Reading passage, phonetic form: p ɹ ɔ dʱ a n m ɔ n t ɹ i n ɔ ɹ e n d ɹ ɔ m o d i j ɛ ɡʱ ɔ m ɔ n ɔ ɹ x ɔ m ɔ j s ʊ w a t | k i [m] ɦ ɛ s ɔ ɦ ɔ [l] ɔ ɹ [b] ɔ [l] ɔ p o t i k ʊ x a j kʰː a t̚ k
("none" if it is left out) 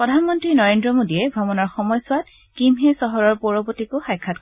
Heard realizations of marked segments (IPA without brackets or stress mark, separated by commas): m, ɹ, p, ɹ